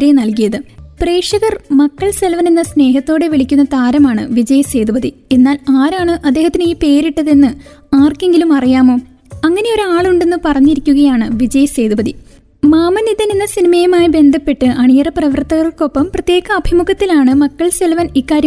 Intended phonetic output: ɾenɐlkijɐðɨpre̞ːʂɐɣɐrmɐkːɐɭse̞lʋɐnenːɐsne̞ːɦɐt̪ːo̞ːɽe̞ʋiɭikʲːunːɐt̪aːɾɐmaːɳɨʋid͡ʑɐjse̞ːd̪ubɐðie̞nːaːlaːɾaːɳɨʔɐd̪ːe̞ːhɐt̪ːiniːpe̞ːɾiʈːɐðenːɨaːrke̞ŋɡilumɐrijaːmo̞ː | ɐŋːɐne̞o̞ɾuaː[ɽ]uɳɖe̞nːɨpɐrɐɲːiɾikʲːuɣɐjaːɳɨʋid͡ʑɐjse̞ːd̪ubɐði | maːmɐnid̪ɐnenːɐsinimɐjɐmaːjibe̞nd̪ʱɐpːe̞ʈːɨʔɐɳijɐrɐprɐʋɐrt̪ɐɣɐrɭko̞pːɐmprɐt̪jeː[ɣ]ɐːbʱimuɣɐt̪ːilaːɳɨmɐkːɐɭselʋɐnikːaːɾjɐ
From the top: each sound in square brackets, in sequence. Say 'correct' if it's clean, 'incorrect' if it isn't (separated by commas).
incorrect, correct